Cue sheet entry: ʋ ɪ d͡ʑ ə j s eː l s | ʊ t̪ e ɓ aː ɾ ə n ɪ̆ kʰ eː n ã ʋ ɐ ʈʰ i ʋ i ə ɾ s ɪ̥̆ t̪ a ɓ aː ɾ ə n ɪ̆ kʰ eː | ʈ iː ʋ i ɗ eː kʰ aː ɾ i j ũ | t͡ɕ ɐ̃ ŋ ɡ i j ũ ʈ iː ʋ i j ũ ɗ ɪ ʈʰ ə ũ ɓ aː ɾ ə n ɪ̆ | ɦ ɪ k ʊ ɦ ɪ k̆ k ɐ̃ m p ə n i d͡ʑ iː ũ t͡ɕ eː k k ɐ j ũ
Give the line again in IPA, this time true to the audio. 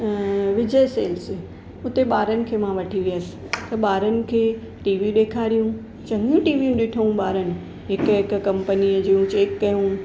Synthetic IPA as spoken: ʋ ɪ d͡ʑ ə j s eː l s | ʊ t̪ e ɓ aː ɾ ə n ɪ̆ kʰ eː m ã ʋ ɐ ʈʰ i ʋ i ə s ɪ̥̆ t̪ ɐ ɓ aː ɾ ə n ɪ̆ kʰ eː | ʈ iː ʋ i ɗ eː kʰ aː ɾ i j ũ | t͡ɕ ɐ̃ ŋ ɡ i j ũ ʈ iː ʋ i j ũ ɗ ɪ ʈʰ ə ũ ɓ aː ɾ ə n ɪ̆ | ɦ ɪ k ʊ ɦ ɪ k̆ k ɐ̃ m p ə n i d͡ʑ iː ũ t͡ɕ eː k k ɐ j ũ